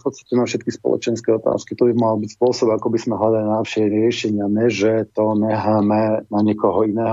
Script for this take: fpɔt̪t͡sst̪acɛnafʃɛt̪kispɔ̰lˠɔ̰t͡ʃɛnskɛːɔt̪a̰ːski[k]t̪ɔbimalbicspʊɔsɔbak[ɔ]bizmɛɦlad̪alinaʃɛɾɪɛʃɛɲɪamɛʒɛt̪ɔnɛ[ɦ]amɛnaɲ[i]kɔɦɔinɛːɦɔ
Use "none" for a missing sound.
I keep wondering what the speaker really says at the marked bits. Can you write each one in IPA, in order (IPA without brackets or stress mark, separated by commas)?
none, ɔ, ɦ, ɛ